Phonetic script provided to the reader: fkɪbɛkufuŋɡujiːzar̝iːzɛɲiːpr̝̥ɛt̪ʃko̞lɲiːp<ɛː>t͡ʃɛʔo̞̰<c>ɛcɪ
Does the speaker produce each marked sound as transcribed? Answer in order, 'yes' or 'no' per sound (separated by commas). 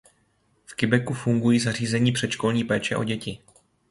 yes, no